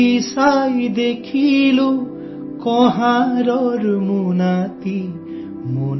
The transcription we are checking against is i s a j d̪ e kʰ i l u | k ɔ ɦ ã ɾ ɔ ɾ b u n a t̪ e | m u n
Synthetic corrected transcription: i s a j d̪ e kʰ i l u | k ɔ ɦ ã ɾ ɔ ɾ m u n a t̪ i | m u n